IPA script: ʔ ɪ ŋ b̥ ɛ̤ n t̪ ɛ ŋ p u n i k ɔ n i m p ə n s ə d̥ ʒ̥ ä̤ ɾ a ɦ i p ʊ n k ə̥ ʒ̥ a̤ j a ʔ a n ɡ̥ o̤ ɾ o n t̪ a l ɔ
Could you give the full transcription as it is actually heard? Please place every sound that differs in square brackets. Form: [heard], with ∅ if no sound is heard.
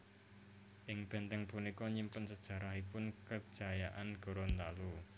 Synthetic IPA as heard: ʔ ɪ ŋ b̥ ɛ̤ n t̪ ɛ ŋ p u n i k ɔ [ɲ] i m p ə n s ə d̥ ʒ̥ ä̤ ɾ a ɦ i p ʊ n k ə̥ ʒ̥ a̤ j a ʔ a n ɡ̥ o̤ ɾ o n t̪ a l [u]